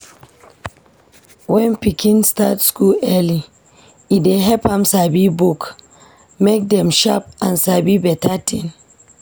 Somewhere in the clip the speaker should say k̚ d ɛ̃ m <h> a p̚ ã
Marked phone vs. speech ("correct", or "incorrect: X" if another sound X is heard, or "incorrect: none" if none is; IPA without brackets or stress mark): incorrect: ʃ